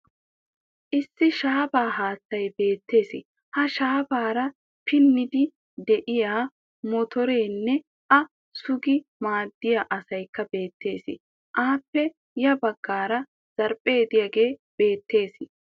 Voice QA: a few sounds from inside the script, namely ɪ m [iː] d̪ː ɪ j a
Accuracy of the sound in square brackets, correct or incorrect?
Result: incorrect